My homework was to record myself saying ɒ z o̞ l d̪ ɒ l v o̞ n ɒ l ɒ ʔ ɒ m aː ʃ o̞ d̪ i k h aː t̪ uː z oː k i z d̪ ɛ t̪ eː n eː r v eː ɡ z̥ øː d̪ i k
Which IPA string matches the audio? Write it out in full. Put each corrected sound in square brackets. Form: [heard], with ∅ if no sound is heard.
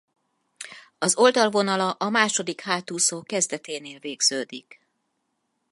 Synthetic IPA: ɒ z o̞ l d̪ ɒ l v o̞ n ɒ l ɒ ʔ ɒ m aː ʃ o̞ d̪ i k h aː t̪ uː [s] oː k [ɛ] z d̪ ɛ t̪ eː n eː [l] v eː ɡ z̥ øː d̪ i k